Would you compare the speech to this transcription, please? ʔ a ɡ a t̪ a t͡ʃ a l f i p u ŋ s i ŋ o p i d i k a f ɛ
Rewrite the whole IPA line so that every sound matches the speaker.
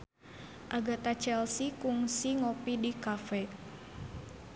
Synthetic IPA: ʔ a ɡ a t̪ a t͡ʃ ɛ l s i k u ŋ s i ŋ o p i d i k a f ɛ